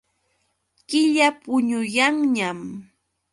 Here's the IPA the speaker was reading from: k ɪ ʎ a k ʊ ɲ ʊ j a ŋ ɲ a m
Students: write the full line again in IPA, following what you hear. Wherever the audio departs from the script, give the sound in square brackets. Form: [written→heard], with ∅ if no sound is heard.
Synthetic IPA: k ɪ ʎ a [k→p] ʊ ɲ ʊ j a ŋ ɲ a m